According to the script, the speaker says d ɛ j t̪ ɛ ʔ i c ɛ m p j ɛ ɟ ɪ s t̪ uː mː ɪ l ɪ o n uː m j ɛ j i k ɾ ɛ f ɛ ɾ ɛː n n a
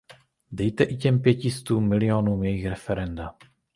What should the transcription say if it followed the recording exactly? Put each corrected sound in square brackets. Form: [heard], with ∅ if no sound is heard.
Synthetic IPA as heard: d ɛ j t̪ ɛ ʔ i c ɛ m p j ɛ [c] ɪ s t̪ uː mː ɪ l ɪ o n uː m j ɛ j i [x] ɾ ɛ f ɛ ɾ [ɛ] n [d] a

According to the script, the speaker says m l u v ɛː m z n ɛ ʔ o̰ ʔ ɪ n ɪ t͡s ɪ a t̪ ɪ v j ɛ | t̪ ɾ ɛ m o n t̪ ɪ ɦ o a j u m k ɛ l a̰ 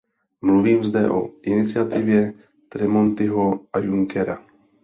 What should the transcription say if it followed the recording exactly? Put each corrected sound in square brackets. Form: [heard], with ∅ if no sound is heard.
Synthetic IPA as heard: m l u v [iː] m z [d] ɛ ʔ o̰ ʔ ɪ n ɪ t͡s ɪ a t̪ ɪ v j ɛ | t̪ ɾ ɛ m o n t̪ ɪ ɦ o a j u [ŋ] k ɛ [ɾ] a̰

